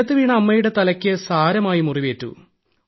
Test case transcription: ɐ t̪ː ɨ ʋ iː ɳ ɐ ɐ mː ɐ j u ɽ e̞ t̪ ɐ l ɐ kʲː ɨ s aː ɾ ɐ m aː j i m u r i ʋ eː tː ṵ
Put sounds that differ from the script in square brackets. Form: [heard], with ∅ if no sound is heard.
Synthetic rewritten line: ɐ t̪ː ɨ ʋ iː ɳ ɐ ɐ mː ɐ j u ɽ e̞ t̪ ɐ l ɐ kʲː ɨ s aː ɾ ɐ m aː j i m u r i ʋ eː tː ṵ

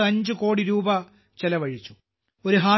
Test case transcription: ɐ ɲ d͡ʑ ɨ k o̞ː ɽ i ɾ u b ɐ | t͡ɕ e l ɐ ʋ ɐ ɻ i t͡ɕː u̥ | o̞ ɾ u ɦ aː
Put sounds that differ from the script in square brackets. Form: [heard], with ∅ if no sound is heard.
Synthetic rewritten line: ɐ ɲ d͡ʑ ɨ k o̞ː ɽ i ɾ [uː] b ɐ | t͡ɕ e l ɐ ʋ ɐ ɻ i t͡ɕː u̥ | o̞ ɾ u ɦ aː

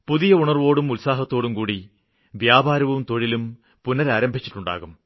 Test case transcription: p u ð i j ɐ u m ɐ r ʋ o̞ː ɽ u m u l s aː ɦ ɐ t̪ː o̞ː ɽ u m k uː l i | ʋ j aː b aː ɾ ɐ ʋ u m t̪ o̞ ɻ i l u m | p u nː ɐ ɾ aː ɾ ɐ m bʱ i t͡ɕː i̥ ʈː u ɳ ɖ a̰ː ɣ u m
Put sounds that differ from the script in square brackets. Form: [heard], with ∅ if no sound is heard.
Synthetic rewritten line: p u ð i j ɐ u [ɳ] ɐ r ʋ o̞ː ɽ u m u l s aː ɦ ɐ t̪ː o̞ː ɽ u m k uː [ɽ] i | ʋ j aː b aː ɾ ɐ ʋ u m t̪ o̞ ɻ i l u m | p u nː ɐ ɾ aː ɾ ɐ m bʱ i t͡ɕː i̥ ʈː u ɳ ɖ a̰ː ɣ u m

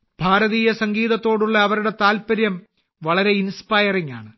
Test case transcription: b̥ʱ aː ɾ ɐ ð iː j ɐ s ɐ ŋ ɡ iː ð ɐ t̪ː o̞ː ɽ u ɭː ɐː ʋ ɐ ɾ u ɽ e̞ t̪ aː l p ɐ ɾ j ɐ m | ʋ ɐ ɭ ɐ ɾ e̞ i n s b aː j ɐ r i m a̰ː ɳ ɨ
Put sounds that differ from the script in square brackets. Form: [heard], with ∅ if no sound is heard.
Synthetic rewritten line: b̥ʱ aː ɾ ɐ ð iː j ɐ s ɐ ŋ ɡ iː ð ɐ t̪ː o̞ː ɽ u ɭː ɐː ʋ ɐ ɾ u ɽ e̞ t̪ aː l p ɐ ɾ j ɐ m | ʋ ɐ ɭ ɐ ɾ e̞ i n s [p] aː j ɐ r i [ŋ] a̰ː ɳ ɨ

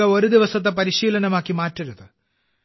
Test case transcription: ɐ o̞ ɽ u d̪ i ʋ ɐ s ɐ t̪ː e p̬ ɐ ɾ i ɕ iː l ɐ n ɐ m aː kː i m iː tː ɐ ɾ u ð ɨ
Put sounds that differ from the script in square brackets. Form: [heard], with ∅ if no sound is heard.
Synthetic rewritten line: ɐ o̞ [ɾ] u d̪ i ʋ ɐ s ɐ t̪ː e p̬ ɐ ɾ i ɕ iː l ɐ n ɐ m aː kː i m [aː] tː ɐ ɾ u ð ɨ

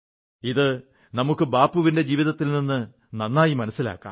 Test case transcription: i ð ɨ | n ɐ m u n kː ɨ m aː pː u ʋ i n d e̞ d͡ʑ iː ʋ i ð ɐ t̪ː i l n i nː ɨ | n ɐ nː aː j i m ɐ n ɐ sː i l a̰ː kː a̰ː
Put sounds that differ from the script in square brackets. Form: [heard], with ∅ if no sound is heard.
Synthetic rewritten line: i ð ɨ | n ɐ m u [∅] kː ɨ [b] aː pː u ʋ i n d e̞ d͡ʑ iː ʋ i ð ɐ t̪ː i l n i nː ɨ | n ɐ nː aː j i m ɐ n ɐ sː i l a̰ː kː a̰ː

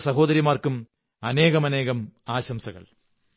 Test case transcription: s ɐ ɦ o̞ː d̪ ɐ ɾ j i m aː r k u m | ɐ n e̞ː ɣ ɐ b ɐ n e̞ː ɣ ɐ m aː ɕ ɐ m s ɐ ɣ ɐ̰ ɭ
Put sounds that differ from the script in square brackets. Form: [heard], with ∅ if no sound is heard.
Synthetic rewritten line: s ɐ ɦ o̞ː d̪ ɐ ɾ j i m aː r k u m | ɐ n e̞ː ɣ ɐ [m] ɐ n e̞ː ɣ ɐ m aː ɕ ɐ m s ɐ ɣ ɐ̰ ɭ

